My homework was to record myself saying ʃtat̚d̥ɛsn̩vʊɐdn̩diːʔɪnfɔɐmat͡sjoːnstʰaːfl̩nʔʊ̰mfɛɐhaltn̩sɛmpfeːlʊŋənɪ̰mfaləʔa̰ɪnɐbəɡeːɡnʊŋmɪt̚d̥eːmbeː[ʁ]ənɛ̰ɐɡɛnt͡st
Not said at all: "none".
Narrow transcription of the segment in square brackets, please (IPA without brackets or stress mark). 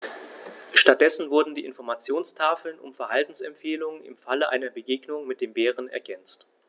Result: ʁ